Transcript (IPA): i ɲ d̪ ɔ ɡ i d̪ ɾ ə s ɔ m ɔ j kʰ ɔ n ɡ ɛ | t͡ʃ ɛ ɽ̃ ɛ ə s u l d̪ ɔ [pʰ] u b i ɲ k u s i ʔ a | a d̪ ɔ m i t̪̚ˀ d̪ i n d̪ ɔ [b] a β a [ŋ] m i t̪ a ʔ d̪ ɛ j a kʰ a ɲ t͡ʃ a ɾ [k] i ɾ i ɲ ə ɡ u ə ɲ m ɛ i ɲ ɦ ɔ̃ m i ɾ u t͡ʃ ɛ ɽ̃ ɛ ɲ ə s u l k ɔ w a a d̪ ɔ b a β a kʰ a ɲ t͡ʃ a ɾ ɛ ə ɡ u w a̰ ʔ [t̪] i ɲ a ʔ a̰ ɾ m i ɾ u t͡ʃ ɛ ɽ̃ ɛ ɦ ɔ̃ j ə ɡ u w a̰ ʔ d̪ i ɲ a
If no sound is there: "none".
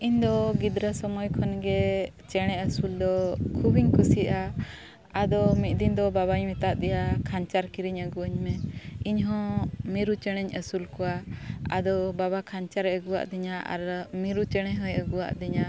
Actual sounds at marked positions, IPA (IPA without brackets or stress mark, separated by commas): kʰ, b, ɲ, k, d̪